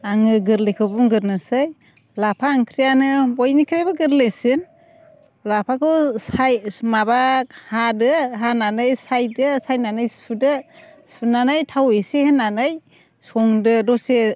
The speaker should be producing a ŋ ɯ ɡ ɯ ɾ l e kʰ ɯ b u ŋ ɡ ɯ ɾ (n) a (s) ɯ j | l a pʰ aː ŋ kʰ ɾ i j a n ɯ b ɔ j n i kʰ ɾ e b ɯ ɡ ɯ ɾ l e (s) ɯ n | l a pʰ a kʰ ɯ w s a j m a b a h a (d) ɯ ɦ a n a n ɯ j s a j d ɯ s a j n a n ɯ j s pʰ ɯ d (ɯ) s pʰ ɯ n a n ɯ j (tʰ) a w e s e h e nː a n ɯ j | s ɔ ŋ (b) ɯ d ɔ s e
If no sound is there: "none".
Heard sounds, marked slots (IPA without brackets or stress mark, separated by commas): n, s, s, d, ɯ, tʰ, d